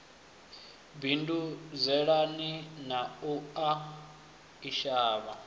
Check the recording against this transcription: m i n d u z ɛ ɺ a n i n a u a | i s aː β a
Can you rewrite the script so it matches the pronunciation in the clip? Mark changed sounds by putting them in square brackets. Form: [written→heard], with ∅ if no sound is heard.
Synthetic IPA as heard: [m→b] i n d u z ɛ ɺ a n i n a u a | i [s→ʃ] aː β a